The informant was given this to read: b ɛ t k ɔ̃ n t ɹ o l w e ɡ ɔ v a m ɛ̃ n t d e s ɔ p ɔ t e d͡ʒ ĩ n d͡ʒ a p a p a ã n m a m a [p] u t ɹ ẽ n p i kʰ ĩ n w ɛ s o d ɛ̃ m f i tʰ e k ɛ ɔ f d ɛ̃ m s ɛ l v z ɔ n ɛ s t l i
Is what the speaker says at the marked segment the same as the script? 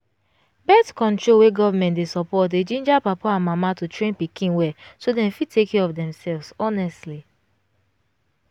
no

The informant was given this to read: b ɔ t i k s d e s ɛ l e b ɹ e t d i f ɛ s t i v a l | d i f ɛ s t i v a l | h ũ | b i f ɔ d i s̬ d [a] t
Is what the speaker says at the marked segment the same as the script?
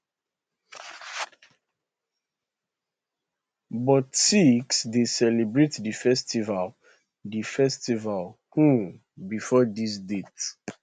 no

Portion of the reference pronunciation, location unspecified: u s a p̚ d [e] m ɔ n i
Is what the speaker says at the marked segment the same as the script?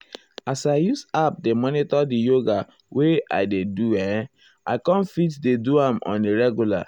yes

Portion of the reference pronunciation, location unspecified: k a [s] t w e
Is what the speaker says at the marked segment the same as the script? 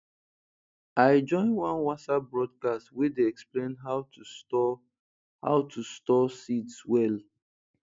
yes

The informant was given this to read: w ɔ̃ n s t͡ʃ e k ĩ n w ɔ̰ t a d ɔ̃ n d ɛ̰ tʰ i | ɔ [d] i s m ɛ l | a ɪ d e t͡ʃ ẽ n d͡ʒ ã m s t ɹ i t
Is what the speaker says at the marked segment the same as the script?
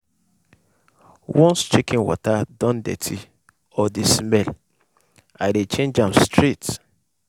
yes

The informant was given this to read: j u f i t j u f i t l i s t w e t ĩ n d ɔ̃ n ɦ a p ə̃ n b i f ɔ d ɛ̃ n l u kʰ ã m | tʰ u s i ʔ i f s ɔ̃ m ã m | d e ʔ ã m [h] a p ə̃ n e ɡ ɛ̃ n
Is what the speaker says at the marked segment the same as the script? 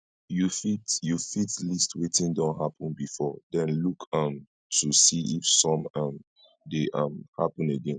yes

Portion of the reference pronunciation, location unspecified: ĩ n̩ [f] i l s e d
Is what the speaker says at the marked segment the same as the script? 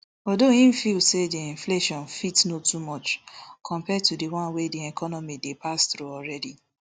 yes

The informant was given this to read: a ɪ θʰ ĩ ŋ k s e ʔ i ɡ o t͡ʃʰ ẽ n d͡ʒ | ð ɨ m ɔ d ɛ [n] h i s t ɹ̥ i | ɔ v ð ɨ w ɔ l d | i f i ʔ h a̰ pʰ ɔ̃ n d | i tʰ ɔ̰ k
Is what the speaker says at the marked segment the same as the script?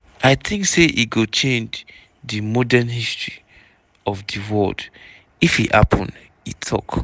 yes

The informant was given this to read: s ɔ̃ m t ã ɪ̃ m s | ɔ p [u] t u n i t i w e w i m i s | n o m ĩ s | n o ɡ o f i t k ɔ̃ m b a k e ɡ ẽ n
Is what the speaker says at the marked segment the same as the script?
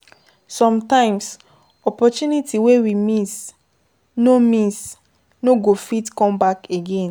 no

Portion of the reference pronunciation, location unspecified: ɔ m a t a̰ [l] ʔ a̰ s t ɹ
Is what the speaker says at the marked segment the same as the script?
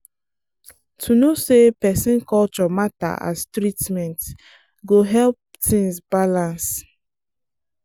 no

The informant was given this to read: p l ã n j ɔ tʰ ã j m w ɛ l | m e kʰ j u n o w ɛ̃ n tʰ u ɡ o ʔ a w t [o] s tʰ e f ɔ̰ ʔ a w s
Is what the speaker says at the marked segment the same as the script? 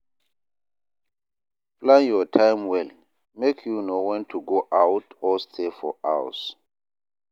no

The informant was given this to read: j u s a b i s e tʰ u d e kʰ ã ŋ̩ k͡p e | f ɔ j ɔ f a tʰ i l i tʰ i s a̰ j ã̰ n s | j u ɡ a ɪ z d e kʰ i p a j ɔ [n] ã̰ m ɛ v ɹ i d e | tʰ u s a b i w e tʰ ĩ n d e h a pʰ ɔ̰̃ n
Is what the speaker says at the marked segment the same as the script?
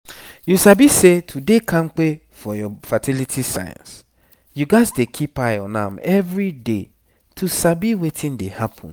yes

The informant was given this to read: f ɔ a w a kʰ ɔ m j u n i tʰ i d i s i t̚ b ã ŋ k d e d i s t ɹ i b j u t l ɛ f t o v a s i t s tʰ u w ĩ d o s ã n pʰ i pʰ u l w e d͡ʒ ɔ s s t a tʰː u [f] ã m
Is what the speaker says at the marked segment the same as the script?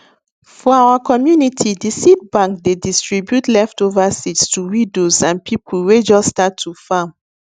yes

